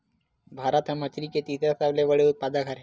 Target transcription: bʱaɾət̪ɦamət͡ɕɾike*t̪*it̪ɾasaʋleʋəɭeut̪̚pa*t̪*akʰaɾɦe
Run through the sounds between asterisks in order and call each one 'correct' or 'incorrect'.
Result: correct, incorrect: d̪

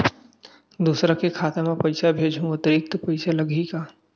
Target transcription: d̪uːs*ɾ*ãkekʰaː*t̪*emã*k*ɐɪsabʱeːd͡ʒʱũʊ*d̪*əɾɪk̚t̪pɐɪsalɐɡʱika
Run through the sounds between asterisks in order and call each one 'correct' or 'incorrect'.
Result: correct, correct, incorrect: p, incorrect: t̪

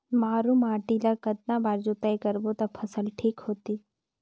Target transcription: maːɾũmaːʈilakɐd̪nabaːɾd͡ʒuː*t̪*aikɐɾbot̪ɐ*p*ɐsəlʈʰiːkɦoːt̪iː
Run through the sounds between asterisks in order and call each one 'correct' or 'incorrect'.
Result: correct, incorrect: pʰ

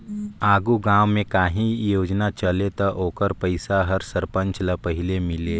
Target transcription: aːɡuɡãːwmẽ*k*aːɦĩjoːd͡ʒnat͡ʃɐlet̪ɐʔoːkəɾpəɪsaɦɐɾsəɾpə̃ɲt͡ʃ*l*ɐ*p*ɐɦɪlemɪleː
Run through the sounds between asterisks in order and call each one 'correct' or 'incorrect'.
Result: correct, correct, correct

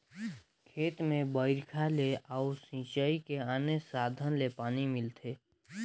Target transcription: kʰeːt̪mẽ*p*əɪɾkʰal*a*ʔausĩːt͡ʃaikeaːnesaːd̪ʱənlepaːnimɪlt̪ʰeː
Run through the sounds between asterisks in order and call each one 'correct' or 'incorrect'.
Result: incorrect: b, incorrect: e

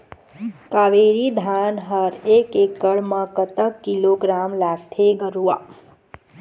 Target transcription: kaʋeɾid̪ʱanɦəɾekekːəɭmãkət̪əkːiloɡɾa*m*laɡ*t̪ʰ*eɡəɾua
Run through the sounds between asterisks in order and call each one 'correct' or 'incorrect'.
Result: correct, correct

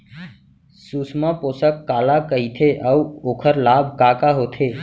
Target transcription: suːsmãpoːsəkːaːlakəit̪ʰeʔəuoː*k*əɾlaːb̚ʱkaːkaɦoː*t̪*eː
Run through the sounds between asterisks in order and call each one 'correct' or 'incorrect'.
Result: incorrect: kʰ, incorrect: t̪ʰ

